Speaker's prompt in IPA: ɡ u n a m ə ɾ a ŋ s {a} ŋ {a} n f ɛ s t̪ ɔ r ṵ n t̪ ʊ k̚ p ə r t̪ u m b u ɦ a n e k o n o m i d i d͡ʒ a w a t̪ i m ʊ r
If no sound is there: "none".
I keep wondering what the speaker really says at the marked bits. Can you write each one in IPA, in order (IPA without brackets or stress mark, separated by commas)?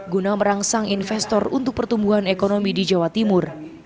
a, i